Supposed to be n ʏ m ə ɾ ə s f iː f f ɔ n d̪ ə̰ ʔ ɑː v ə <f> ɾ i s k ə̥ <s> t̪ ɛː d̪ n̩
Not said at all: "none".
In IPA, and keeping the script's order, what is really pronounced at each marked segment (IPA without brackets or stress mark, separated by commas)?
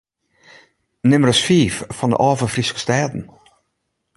f, s